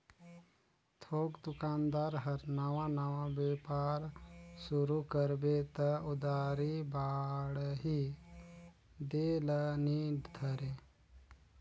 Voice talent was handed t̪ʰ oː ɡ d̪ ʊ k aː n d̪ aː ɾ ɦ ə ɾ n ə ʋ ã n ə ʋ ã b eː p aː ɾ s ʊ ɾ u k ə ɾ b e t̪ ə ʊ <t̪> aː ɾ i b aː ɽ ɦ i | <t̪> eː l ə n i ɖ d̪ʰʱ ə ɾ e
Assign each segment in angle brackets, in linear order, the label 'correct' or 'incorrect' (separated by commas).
incorrect, incorrect